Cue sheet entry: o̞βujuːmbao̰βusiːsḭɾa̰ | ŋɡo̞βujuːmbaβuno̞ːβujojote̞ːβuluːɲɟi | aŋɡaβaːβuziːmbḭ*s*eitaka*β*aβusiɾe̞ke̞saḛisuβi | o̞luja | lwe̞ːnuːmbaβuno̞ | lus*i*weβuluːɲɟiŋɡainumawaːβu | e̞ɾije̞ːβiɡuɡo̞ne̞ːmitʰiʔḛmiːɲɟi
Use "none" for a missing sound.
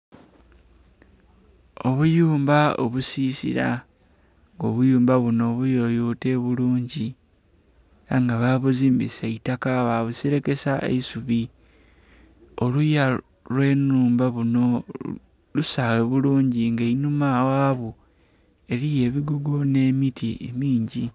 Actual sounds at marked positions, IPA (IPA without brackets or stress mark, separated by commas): s, β, a